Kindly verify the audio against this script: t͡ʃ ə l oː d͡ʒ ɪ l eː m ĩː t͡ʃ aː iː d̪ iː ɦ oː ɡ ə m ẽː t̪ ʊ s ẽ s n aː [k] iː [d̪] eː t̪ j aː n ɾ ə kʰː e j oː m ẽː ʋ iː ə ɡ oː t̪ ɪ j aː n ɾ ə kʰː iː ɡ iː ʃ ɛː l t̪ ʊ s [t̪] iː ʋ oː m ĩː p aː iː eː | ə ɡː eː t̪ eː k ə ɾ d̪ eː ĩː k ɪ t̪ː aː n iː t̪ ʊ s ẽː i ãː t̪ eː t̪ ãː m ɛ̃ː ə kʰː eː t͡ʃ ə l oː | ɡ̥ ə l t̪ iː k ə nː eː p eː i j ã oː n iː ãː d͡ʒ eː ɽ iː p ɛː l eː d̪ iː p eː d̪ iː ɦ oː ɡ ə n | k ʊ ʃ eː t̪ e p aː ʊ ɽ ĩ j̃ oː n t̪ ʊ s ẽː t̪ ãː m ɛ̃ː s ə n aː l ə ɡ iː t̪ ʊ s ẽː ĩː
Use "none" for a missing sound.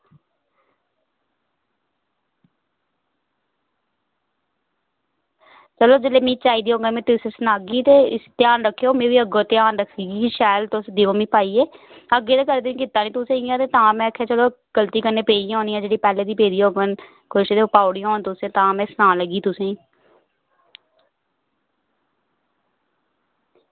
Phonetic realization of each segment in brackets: ɡ, t̪, d̪

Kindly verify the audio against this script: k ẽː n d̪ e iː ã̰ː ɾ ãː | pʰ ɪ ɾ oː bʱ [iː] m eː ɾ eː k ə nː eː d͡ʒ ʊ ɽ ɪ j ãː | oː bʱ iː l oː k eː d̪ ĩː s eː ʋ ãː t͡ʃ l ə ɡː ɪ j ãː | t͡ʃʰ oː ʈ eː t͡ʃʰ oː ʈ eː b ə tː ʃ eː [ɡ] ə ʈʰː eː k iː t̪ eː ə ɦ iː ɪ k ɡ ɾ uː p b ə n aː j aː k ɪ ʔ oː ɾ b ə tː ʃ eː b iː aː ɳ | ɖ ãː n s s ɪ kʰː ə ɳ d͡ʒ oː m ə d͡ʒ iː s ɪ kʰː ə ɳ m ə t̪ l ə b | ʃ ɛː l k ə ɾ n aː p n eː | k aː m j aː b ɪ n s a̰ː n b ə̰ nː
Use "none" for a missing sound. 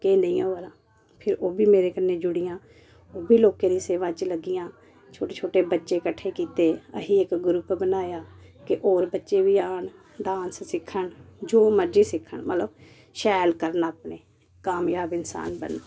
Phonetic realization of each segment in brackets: iː, k

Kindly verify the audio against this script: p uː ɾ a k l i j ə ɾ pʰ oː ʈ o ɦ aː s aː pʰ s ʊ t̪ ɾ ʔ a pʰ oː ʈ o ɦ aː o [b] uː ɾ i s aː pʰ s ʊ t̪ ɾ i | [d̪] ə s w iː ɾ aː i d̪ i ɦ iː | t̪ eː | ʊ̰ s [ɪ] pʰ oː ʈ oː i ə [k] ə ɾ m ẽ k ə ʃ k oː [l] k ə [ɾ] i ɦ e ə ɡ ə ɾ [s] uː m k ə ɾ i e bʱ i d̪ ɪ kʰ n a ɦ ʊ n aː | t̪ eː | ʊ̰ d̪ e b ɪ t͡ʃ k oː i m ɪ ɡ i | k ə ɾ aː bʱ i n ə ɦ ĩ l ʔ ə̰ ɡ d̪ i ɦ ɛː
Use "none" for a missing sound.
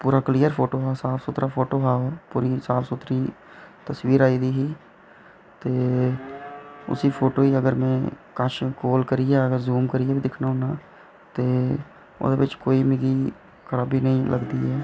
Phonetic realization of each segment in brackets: p, t̪, i, ɡ, l, ɾ, z

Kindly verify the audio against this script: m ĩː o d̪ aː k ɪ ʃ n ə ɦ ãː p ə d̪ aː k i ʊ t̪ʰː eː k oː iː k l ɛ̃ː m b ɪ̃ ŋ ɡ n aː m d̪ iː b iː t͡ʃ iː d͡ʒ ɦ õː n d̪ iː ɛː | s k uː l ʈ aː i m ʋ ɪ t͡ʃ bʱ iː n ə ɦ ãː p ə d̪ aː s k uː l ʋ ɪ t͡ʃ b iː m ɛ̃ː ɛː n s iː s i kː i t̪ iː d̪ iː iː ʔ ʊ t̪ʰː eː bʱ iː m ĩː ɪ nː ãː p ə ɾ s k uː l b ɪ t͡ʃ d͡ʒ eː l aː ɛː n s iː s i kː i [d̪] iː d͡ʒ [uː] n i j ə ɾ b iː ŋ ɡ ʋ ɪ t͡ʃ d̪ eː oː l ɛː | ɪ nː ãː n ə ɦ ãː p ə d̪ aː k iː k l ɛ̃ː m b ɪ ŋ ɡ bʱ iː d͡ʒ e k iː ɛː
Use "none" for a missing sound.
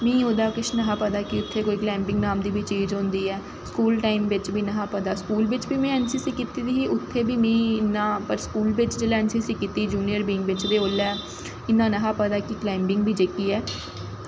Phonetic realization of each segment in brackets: t̪, uː

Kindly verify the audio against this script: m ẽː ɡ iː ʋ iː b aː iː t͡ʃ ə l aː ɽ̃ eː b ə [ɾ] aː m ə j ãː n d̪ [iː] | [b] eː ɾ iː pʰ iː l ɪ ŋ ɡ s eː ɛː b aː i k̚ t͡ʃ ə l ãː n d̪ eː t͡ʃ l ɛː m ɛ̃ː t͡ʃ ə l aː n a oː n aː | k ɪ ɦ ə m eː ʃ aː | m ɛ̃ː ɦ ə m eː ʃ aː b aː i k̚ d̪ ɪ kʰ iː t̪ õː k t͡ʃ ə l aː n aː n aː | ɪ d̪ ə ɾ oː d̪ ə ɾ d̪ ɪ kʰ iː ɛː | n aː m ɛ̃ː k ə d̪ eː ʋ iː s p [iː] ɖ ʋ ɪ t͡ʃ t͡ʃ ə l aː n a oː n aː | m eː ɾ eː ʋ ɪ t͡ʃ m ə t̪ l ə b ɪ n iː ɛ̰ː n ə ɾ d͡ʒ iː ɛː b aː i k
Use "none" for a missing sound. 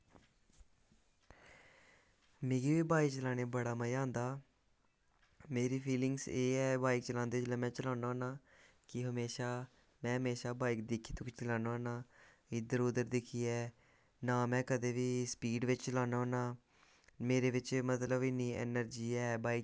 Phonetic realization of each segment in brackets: ɽ, aː, m, iː

